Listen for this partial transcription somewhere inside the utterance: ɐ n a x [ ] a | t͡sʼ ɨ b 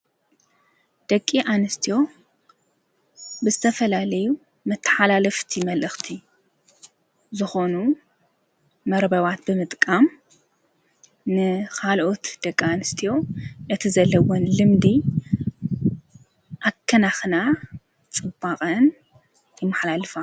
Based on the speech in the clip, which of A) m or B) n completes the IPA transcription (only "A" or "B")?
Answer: B